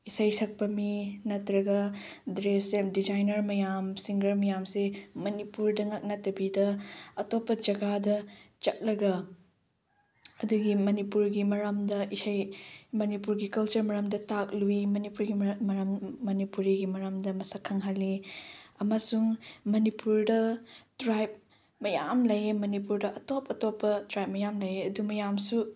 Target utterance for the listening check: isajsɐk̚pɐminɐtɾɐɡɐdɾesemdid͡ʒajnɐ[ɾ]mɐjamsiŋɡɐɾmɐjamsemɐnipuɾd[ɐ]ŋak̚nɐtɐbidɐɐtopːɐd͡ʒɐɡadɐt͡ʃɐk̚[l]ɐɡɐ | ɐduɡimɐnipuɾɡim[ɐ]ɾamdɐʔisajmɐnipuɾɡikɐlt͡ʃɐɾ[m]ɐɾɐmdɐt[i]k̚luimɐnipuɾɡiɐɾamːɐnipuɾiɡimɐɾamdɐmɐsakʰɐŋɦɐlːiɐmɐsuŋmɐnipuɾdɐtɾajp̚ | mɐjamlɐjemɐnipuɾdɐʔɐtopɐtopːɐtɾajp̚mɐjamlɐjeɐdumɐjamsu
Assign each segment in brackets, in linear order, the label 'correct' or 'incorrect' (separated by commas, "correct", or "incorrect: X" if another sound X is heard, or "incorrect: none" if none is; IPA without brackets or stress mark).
correct, correct, correct, correct, correct, incorrect: a